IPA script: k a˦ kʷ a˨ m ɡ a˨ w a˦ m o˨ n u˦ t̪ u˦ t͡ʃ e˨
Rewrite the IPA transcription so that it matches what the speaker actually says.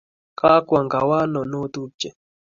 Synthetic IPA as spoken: k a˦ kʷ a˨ ŋ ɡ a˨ w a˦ n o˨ n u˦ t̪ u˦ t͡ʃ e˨

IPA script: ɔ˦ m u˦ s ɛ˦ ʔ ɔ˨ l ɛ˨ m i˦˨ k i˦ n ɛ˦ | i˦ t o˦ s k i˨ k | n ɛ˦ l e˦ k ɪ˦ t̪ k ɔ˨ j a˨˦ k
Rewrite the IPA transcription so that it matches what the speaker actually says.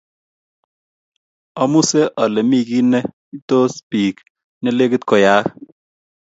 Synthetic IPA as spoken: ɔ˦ m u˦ s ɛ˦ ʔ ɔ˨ l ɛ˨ m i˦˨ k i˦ n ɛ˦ | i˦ t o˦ s p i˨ k | n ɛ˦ l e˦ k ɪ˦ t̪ k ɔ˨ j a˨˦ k

